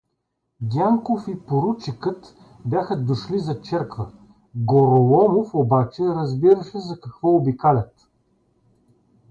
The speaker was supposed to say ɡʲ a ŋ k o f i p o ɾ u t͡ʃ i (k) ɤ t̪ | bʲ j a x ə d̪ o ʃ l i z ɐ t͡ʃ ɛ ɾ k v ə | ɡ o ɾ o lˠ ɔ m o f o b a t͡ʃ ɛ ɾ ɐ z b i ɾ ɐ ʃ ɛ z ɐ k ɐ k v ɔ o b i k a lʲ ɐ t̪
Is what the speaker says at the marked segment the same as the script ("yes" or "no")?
yes